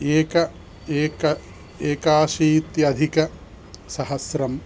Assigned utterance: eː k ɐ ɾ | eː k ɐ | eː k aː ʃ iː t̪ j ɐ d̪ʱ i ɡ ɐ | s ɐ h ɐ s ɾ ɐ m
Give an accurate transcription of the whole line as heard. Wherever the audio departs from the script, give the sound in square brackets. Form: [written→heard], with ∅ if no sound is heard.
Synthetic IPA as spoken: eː k ɐ [ɾ→∅] | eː k ɐ | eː k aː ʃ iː t̪ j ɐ d̪ʱ i [ɡ→k] ɐ | s ɐ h ɐ s ɾ ɐ m